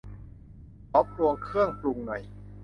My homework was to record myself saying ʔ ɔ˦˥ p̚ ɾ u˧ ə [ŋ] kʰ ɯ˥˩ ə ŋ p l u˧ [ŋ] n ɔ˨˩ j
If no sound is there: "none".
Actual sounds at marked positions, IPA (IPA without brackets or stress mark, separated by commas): ŋ, ŋ